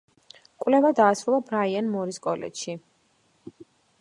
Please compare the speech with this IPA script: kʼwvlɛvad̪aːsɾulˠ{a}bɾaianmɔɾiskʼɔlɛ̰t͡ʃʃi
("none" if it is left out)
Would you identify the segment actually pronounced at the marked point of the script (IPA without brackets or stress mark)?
a